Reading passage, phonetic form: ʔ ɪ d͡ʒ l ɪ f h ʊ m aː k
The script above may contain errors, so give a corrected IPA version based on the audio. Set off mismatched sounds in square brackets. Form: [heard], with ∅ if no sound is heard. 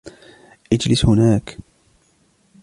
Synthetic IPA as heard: ʔ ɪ d͡ʒ l ɪ [s] h ʊ [n] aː k